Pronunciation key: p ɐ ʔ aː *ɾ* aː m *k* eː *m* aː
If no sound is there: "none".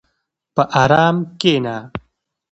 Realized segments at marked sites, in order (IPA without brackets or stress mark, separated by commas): ɾ, k, n